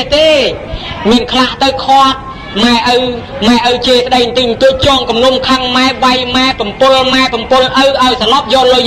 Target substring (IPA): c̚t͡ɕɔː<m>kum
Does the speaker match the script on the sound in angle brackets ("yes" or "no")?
no